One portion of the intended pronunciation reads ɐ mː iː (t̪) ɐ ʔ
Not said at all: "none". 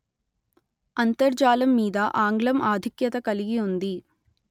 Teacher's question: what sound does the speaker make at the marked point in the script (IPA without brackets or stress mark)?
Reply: d̪